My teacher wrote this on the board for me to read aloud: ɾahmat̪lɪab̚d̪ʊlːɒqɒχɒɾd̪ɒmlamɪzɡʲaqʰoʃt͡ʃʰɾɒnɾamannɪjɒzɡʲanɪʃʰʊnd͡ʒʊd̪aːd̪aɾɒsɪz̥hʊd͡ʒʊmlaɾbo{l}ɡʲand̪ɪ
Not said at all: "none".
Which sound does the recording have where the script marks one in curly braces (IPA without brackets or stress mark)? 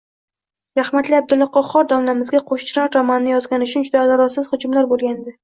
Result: l